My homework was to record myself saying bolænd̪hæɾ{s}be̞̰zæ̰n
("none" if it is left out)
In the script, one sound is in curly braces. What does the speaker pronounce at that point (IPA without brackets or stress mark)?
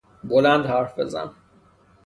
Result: f